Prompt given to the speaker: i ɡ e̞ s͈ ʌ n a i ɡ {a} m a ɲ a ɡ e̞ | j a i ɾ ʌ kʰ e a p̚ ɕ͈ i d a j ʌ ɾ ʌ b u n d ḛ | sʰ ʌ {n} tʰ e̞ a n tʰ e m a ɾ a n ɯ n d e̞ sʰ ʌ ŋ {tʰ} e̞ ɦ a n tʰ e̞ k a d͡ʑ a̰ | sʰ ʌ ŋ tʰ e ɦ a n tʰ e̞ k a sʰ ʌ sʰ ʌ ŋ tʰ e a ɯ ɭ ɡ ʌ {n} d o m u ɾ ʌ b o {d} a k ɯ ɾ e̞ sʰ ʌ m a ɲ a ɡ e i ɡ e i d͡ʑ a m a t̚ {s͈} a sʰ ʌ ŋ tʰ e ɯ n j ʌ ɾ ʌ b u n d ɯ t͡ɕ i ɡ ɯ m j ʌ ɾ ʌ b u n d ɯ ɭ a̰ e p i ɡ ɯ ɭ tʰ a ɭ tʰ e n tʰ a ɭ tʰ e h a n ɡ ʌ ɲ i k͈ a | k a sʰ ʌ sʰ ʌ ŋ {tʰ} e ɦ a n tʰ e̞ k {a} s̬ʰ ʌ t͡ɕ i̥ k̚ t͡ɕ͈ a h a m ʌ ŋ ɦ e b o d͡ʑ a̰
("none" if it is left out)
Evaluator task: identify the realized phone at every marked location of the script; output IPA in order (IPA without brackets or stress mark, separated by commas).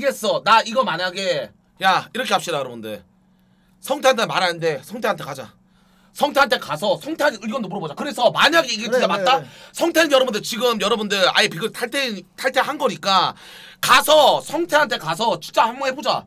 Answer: ʌ, ŋ, tʰ, n, d͡ʑ, t͈, tʰ, a